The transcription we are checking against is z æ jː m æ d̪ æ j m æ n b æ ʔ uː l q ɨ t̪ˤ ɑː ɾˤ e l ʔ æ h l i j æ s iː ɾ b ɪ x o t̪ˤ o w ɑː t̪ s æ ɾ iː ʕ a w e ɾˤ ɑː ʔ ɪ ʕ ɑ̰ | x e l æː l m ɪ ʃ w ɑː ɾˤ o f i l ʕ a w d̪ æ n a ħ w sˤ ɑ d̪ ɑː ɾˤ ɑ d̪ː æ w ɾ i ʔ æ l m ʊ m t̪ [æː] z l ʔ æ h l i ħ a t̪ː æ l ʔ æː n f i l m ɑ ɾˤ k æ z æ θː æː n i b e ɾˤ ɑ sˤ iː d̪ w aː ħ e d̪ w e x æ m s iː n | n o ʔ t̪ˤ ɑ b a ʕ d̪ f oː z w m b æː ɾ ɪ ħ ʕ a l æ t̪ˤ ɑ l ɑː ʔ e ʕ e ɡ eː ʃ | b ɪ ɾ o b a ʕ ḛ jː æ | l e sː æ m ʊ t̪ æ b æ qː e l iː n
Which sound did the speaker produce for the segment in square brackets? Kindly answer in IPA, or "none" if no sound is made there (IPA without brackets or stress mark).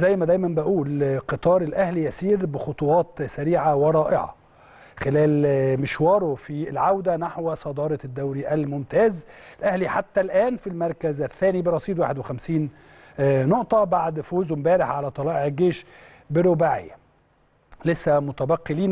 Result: æː